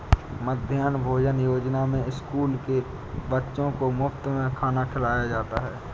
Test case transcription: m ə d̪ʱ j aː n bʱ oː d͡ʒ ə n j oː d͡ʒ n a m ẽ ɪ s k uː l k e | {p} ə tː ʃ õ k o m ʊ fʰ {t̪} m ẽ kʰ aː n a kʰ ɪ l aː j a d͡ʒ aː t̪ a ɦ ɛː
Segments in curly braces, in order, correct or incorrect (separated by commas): incorrect, correct